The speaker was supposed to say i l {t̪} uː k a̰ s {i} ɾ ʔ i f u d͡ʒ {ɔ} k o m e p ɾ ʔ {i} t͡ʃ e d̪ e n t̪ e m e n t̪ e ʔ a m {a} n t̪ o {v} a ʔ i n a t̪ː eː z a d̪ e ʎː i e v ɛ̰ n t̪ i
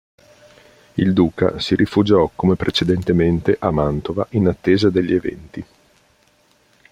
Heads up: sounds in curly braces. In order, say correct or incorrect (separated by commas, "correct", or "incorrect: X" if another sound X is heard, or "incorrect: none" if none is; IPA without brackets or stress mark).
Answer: incorrect: d̪, correct, correct, incorrect: e, correct, correct